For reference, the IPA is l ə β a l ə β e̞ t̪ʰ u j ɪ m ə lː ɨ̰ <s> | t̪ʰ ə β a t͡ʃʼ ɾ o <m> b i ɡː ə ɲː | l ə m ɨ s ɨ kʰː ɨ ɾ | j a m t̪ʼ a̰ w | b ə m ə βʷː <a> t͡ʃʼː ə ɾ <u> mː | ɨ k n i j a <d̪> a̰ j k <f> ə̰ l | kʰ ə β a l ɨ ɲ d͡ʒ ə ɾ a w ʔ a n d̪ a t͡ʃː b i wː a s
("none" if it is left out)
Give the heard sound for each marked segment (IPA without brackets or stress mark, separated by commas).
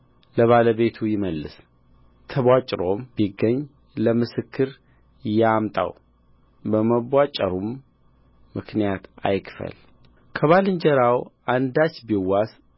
s, m, a, u, t̪, f